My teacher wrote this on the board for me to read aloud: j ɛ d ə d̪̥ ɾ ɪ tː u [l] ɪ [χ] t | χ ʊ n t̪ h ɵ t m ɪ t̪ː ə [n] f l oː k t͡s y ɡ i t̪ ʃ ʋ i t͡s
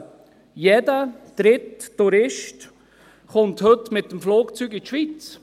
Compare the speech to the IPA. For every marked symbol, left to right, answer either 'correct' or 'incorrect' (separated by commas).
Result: incorrect, incorrect, incorrect